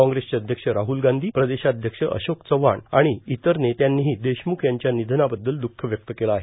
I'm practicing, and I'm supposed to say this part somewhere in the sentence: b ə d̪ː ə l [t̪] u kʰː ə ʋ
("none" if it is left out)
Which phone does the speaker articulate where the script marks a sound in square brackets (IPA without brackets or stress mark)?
d̪